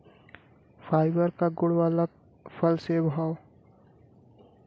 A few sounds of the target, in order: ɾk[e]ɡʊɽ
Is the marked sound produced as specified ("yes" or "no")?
no